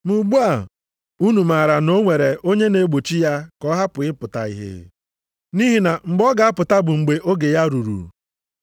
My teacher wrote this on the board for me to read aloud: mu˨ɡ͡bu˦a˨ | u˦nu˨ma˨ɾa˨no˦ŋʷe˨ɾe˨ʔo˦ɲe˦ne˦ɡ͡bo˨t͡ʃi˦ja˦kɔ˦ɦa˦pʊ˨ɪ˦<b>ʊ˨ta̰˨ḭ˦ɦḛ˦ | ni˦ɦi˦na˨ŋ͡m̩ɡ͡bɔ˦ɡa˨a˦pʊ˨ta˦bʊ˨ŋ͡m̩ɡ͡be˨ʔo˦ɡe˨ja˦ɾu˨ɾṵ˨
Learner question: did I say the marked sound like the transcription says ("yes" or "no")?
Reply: no